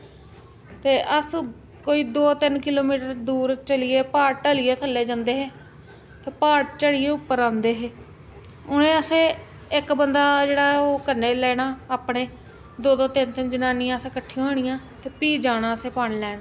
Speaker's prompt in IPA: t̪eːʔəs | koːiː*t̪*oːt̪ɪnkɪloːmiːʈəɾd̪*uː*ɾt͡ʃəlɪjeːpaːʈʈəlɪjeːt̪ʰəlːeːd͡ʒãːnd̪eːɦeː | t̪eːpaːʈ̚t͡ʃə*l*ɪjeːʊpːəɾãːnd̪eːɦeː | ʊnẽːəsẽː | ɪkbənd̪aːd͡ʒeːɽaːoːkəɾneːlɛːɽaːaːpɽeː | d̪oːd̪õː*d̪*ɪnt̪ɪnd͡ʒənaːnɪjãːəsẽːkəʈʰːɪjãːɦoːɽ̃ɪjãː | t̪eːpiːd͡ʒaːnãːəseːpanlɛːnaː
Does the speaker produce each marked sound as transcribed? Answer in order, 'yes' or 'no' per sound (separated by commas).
no, yes, no, no